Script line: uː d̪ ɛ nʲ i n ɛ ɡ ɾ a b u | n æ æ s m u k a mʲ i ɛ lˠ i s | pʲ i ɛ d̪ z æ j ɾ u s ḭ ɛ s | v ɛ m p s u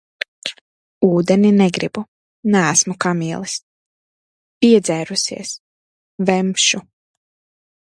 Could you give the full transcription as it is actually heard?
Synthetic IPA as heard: uː d̪ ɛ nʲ i n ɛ ɡ ɾ i b u | n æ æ s m u k a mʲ i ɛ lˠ i s | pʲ i ɛ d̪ z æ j ɾ u s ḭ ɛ s | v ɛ m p ʃ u